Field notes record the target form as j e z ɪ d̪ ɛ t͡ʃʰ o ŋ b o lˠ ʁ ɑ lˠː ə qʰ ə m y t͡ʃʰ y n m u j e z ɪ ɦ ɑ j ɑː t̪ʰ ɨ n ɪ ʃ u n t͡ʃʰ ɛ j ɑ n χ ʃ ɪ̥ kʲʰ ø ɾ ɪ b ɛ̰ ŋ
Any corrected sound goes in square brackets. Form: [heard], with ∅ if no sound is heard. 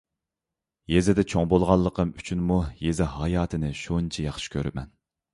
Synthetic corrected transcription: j e z ɪ d̪ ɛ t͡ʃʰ o ŋ b o lˠ ʁ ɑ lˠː ə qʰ ə m y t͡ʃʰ y n m u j e z ɪ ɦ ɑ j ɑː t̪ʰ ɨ n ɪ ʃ u n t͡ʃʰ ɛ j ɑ [∅] χ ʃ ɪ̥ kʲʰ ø ɾ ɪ [m] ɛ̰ [n]